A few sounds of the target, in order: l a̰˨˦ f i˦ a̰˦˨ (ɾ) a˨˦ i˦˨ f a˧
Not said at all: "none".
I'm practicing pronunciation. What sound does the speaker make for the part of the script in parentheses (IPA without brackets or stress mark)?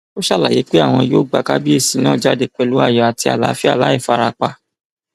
l